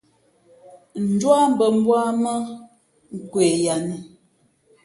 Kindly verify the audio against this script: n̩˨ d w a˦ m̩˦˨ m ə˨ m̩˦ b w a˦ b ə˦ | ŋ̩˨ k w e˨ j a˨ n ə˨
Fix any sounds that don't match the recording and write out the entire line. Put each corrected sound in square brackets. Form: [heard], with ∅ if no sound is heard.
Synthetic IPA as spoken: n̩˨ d w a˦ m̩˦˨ [b] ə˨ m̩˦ b w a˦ [m] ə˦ | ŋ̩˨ k w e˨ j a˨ n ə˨